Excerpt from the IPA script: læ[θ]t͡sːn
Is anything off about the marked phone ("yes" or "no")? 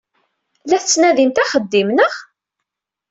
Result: no